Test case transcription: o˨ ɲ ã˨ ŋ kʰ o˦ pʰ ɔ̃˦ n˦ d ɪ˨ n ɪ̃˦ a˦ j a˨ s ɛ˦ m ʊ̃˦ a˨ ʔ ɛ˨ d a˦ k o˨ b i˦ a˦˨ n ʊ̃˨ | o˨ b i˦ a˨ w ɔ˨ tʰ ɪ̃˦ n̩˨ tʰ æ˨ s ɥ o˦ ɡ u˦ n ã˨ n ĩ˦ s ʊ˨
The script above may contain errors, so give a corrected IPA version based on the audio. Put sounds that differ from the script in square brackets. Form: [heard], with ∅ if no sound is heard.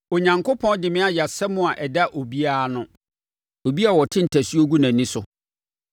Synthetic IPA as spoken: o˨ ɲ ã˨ ŋ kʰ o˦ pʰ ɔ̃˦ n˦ d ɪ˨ [m] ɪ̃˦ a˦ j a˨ s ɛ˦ m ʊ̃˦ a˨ ʔ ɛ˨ d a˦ [ʔ] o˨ b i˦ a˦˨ n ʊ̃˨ | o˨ b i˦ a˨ w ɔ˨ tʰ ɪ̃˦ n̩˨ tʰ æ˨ s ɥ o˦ ɡ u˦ n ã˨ n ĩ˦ s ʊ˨